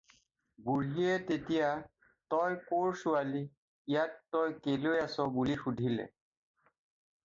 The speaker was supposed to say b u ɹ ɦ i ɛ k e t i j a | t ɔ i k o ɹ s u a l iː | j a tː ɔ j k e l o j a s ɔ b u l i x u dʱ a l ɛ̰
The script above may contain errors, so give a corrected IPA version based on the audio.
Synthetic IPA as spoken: b u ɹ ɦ i ɛ t e t i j a | t ɔ j k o ɹ s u a l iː | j a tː ɔ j k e l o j a s ɔ b u l i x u dʱ i l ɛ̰